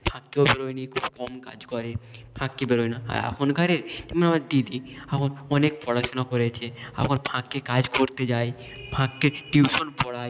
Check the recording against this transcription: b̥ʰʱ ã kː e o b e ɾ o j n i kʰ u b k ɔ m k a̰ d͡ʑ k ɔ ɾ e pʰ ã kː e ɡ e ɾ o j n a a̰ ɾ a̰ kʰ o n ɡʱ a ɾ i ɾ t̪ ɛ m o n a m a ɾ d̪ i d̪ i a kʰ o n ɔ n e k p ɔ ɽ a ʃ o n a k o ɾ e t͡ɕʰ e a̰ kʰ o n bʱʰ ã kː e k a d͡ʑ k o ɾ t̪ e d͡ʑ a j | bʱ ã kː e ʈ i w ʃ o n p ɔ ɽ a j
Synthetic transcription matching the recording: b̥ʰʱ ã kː e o b e ɾ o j n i kʰ u b k ɔ m k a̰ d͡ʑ k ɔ ɾ e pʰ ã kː e b e ɾ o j n a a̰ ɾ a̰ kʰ o n ɡʱ a ɾ e ɾ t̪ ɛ m o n a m a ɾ d̪ i d̪ i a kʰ o n ɔ n e k p ɔ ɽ a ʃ o n a k o ɾ e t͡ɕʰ e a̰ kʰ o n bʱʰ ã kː e k a d͡ʑ k o ɾ t̪ e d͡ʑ a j | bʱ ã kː e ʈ i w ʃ o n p ɔ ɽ a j